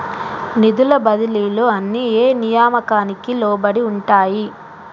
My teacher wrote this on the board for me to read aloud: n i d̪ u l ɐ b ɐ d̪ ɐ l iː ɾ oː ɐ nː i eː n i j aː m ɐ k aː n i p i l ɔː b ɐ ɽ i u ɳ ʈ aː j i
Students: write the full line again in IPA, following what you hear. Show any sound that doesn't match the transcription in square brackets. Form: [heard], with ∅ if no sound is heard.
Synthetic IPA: n i d̪ u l ɐ b ɐ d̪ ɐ l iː [l] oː ɐ nː i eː n i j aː m ɐ k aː n i [k] i l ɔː b ɐ ɽ i u ɳ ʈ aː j i